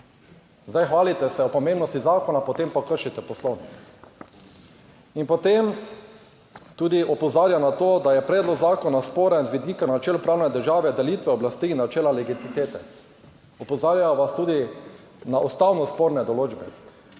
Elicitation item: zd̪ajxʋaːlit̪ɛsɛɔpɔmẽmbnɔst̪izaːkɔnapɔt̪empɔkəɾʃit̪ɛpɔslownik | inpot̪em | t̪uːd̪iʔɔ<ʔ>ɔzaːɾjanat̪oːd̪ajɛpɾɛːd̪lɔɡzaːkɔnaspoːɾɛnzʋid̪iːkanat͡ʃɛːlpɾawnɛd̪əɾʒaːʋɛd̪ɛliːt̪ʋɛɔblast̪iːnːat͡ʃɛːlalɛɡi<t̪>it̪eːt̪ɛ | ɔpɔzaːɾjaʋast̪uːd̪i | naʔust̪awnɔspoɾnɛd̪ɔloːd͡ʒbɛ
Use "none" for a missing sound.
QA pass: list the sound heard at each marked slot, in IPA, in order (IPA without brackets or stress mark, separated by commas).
p, t̪